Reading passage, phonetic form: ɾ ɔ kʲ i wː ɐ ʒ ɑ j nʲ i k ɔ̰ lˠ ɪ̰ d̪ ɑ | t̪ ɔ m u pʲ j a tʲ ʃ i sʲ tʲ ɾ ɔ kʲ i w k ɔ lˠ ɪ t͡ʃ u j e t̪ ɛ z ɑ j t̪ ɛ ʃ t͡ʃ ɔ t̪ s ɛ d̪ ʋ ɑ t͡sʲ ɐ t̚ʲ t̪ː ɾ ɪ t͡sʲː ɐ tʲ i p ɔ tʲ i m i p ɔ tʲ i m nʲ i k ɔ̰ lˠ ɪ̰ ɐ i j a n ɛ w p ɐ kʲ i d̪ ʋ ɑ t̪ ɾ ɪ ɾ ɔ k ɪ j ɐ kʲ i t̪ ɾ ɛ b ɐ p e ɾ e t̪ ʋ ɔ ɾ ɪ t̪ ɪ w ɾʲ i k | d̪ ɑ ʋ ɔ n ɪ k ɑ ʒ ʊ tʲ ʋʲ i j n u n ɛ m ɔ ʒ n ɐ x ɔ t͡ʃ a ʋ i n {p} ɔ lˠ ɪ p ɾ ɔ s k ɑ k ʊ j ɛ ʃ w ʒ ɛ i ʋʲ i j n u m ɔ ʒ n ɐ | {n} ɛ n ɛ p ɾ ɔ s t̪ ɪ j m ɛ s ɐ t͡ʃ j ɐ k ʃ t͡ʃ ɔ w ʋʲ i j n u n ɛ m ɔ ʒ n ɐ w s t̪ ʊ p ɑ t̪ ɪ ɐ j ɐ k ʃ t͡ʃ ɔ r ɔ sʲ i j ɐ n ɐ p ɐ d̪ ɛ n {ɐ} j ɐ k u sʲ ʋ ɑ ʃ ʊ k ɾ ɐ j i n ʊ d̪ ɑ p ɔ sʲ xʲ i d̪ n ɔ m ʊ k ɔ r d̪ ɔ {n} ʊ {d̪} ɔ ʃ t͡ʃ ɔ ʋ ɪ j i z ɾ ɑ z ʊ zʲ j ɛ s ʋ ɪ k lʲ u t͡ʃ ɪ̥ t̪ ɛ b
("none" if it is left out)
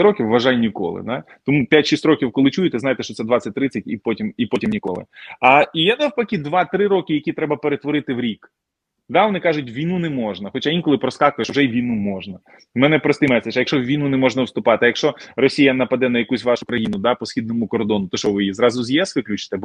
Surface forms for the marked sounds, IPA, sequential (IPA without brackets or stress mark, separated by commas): k, m, ɐ, n, t̪